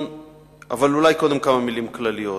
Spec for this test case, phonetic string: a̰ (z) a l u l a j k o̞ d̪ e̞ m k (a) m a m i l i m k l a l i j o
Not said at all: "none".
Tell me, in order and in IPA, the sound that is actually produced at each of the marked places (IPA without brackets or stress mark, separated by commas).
v, a